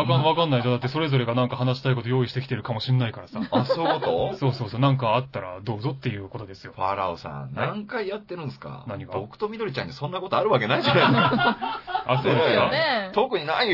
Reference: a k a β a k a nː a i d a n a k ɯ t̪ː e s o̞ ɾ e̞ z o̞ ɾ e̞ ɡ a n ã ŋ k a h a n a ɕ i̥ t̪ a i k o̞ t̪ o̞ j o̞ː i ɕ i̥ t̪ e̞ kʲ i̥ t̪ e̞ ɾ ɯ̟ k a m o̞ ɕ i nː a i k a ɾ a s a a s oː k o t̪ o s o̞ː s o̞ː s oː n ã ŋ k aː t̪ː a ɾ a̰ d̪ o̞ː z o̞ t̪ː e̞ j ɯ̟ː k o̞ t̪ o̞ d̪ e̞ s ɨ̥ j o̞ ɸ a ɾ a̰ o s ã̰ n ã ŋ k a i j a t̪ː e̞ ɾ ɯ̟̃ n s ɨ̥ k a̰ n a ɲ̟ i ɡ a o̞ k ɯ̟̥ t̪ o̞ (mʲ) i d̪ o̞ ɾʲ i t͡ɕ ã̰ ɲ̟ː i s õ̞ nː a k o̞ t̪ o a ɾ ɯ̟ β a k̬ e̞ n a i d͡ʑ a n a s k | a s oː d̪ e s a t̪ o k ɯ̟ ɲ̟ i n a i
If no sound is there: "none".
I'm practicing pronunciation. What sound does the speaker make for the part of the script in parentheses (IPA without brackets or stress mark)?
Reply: mʲ